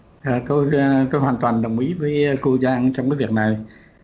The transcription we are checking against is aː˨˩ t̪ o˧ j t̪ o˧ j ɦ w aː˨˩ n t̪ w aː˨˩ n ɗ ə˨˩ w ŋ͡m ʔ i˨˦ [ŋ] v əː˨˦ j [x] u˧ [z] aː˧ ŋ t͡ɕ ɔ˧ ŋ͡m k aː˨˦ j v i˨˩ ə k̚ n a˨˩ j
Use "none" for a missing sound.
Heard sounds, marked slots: none, k, z

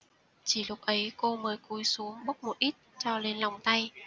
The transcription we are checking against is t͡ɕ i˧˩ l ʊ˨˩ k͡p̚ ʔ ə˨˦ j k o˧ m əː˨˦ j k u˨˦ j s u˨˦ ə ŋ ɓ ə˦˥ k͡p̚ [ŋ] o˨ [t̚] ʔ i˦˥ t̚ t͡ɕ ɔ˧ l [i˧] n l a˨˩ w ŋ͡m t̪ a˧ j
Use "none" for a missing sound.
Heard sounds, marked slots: m, t̚, e˧

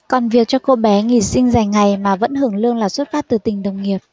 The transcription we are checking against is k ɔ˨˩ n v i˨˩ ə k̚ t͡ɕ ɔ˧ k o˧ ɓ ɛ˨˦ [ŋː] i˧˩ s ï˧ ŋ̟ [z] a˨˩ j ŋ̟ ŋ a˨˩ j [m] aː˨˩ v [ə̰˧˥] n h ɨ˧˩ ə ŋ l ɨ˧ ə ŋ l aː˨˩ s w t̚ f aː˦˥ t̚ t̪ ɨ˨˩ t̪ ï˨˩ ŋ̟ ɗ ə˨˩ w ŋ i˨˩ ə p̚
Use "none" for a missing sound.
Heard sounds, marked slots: ŋ, z, m, ə̰˧˥

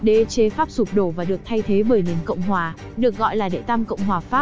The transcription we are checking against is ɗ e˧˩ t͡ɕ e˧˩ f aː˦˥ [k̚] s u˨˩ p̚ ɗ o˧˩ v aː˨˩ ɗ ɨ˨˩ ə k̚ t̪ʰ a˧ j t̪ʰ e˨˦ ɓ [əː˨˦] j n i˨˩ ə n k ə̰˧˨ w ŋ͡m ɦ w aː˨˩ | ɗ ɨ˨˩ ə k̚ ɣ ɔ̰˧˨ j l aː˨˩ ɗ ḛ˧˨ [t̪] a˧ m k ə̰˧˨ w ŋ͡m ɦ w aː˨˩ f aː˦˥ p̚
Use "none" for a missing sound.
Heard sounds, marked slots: p̚, əː˧˩, t̪

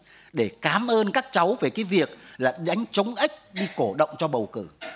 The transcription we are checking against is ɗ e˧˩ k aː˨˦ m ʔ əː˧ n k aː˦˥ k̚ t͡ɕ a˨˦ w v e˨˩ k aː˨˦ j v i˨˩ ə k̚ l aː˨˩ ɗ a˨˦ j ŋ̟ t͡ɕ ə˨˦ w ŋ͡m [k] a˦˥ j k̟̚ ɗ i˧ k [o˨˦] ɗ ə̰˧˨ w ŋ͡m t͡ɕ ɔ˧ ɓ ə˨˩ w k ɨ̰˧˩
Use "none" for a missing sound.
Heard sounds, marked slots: ʔ, o˧˩

